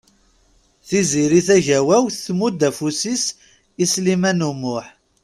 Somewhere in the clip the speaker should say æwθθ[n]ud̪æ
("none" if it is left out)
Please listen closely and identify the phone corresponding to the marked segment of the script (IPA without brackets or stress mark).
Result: m